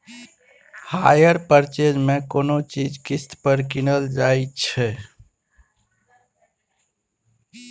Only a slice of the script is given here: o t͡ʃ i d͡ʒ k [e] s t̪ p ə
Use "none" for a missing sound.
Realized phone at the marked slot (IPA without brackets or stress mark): i